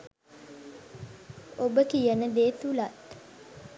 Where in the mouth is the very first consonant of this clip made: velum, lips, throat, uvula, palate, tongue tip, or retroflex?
lips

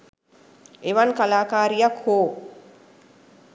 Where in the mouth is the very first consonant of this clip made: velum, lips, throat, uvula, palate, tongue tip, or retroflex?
lips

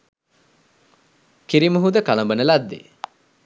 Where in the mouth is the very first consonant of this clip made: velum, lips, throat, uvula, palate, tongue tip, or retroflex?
velum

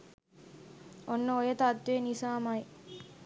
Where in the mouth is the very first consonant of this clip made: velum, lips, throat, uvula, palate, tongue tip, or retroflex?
tongue tip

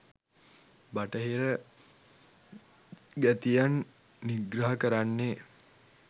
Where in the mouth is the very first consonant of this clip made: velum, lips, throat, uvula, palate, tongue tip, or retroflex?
lips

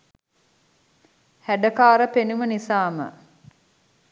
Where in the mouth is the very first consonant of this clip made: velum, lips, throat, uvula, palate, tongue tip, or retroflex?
throat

